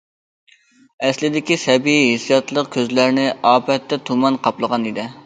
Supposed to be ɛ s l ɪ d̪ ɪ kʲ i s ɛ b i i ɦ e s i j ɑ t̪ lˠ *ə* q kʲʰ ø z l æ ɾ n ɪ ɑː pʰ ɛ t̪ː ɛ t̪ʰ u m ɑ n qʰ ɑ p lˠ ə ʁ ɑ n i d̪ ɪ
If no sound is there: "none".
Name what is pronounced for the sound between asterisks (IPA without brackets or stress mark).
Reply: ə